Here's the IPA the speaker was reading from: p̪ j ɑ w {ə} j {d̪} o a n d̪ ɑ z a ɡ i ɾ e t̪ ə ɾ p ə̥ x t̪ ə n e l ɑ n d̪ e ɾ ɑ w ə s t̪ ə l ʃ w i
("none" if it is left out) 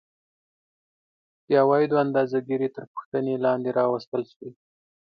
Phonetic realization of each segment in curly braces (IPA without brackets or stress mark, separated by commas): ɑ, d̪